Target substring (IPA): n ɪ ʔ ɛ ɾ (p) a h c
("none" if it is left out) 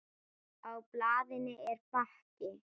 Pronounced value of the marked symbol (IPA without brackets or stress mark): p